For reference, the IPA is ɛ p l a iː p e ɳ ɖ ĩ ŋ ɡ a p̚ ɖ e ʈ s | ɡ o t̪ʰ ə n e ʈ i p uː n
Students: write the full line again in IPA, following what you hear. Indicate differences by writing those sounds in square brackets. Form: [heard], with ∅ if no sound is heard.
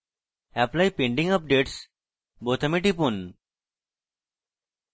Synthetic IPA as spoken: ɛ p l a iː p e ɳ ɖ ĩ ŋ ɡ [ə] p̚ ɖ e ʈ s | [b] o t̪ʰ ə [m] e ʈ i p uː n